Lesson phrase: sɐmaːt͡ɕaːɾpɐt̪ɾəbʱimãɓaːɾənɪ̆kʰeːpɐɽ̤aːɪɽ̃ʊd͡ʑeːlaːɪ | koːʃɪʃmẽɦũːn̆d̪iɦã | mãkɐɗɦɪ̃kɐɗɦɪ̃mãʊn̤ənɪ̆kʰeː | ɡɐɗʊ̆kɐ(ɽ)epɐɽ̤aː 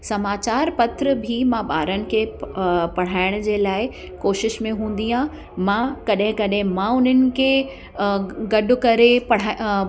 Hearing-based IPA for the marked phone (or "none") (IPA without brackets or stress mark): ɾ